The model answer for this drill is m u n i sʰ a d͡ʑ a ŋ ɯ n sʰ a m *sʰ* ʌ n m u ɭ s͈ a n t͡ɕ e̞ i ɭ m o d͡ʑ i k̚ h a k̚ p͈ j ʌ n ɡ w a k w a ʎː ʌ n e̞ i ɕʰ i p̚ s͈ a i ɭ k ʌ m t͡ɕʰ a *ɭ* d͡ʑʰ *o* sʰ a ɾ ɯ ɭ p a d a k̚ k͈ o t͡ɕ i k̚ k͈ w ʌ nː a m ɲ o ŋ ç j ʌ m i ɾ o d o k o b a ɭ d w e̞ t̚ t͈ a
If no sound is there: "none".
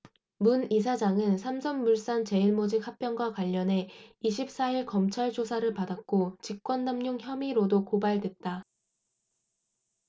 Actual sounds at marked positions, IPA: sʰ, ɭ, o

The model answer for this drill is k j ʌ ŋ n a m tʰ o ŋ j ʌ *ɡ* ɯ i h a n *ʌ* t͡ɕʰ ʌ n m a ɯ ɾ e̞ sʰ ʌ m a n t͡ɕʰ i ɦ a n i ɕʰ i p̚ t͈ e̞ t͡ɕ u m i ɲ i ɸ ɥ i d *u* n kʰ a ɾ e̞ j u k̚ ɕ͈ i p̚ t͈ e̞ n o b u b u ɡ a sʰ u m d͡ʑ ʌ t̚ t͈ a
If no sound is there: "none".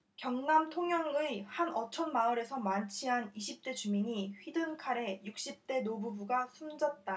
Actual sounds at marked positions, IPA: ŋ, ʌ, ɯ

